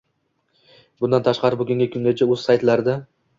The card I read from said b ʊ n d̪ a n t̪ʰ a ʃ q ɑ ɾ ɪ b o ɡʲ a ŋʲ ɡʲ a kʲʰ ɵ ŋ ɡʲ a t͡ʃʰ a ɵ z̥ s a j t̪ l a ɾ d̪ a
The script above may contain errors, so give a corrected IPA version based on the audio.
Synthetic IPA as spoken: b ʊ n d̪ a n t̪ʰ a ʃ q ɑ ɾ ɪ b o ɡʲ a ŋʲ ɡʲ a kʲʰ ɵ ŋ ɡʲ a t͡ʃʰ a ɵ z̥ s a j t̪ l a ɾ d̪ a